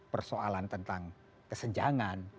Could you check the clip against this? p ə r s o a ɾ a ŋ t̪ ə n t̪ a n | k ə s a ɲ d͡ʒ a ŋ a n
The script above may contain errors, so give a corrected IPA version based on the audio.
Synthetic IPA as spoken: p ə r s o a l a n t̪ ə n t̪ a ŋ | k ə s ə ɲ d͡ʒ a ŋ a n